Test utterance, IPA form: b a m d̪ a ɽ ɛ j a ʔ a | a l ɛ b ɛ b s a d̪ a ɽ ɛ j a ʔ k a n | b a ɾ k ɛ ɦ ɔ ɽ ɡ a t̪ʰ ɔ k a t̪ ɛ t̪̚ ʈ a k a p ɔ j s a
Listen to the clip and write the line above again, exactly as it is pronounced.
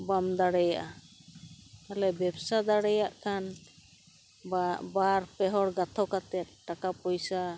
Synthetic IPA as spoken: b a m d̪ a ɽ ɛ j a ʔ a | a l ɛ b ɛ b s a d̪ a ɽ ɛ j a ʔ k a n | b a ɾ p ɛ ɦ ɔ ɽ ɡ a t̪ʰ ɔ k a t̪ ɛ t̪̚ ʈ a k a p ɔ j s a